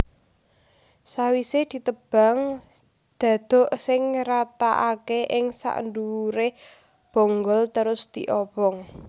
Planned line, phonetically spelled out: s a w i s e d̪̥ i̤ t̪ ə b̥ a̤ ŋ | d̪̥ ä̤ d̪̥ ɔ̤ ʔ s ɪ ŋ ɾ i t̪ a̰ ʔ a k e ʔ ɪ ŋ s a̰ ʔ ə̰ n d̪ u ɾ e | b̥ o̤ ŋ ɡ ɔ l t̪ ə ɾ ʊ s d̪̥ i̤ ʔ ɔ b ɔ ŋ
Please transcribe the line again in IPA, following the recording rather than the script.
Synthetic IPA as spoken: s a w i s e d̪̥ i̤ t̪ ə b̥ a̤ ŋ | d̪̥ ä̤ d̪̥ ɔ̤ ʔ s ɪ ŋ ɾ a t̪ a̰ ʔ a k e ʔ ɪ ŋ s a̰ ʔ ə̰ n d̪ u ɾ e | b̥ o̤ ŋ ɡ ɔ l t̪ ə ɾ ʊ s d̪̥ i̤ ʔ ɔ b ɔ ŋ

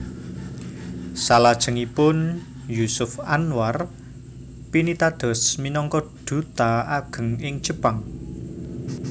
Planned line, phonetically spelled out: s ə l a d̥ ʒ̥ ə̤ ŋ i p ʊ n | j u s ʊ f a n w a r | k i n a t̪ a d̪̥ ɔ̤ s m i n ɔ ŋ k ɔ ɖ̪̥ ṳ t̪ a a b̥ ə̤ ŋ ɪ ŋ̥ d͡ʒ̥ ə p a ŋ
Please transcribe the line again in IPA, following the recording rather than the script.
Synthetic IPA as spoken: s a l a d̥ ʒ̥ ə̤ ŋ i p ʊ n | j u s ʊ f a n w a r | p i n i t̪ a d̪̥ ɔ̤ s m i n ɔ ŋ k ɔ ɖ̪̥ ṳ t̪ a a ɡ̥ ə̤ ŋ ɪ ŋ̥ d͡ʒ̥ ə p a ŋ

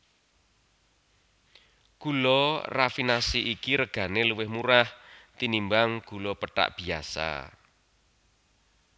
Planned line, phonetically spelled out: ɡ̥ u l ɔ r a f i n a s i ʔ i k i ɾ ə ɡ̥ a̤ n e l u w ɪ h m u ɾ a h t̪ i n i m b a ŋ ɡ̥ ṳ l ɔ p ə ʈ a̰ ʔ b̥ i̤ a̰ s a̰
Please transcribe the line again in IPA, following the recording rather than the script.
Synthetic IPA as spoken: ɡ̥ u l ɔ r a f i n a s i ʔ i k i ɾ ə ɡ̥ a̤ n e l u w ɪ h m u ɾ a h t̪ i n i m b a ŋ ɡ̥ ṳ l ɔ p ə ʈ a̰ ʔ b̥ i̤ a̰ s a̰

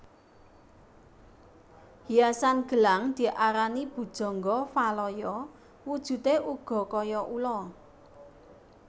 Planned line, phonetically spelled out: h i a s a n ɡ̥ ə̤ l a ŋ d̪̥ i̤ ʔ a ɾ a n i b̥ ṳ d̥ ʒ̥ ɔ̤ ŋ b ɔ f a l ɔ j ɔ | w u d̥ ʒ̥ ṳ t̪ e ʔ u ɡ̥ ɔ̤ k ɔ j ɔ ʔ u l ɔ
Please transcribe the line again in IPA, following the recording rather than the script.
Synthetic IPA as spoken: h i a s a n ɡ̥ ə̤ l a ŋ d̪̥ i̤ ʔ a ɾ a n i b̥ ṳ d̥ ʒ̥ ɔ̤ ŋ ɡ ɔ f a l ɔ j ɔ | w u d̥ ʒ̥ ṳ t̪ e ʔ u ɡ̥ ɔ̤ k ɔ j ɔ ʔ u l ɔ

